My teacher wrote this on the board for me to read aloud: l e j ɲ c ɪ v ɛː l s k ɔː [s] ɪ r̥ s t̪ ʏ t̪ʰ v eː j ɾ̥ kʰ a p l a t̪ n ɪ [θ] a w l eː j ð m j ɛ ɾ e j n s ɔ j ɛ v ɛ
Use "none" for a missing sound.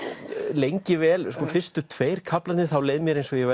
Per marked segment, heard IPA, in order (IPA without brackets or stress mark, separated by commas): f, θ